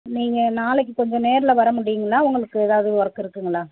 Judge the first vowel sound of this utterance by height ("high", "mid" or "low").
high